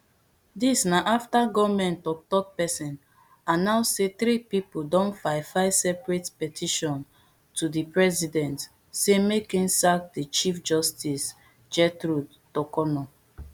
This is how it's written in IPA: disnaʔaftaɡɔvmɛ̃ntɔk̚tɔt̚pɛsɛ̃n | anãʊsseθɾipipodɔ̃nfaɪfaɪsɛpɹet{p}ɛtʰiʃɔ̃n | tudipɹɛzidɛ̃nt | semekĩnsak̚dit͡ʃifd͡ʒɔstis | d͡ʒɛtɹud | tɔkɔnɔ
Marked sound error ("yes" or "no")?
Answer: no